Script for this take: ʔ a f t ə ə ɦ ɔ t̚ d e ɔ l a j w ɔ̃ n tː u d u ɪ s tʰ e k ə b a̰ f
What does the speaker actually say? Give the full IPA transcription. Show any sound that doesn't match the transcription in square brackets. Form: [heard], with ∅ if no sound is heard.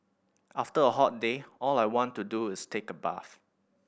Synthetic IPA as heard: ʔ a f t ə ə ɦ ɔ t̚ d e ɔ l a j w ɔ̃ n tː u d u ɪ s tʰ e k ə b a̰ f